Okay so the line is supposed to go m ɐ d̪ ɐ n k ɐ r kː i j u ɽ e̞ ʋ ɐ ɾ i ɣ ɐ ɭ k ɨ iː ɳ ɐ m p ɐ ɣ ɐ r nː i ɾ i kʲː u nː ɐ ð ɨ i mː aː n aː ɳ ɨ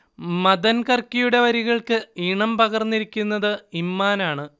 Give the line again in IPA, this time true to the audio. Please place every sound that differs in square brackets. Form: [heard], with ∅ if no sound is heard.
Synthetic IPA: m ɐ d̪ ɐ n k ɐ r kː i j u ɽ e̞ ʋ ɐ ɾ i ɣ ɐ ɭ k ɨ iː ɳ ɐ m p ɐ ɣ ɐ r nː i ɾ i kʲː u nː ɐ ð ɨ i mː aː n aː ɳ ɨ